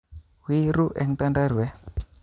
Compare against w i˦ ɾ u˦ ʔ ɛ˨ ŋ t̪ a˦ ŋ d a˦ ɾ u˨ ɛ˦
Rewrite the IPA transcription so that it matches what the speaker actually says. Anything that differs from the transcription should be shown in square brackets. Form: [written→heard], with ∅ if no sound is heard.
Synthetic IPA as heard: w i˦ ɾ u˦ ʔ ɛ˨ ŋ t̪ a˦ [ŋ→n] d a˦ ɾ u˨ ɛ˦